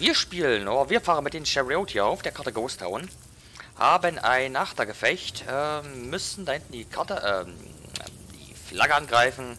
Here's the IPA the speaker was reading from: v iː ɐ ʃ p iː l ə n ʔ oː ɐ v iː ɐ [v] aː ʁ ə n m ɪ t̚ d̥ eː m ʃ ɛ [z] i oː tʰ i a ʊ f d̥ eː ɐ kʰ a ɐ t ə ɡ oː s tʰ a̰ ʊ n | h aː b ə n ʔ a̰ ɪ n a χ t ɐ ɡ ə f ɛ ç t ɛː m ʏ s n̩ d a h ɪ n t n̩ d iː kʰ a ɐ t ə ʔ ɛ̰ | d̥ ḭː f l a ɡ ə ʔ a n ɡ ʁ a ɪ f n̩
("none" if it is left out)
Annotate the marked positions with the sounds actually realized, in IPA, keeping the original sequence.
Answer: f, ʁ

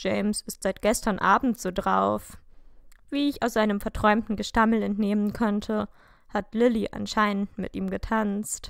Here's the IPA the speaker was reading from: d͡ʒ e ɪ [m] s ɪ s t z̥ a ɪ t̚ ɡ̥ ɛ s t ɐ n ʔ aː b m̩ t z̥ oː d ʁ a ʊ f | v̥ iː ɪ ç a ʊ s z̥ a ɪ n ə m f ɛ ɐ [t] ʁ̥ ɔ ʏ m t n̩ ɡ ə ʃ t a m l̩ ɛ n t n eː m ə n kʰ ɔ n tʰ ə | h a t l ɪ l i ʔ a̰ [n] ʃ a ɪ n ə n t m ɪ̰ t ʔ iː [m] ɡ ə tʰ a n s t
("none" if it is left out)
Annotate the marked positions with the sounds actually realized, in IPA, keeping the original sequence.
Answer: m, t, n, m

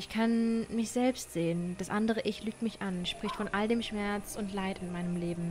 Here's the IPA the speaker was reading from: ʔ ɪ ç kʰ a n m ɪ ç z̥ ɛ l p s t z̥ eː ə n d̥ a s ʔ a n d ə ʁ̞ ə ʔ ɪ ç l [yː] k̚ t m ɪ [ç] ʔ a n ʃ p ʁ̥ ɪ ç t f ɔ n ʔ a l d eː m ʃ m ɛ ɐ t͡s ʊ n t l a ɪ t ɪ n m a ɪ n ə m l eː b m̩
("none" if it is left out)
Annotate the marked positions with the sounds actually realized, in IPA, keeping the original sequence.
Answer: yː, ç

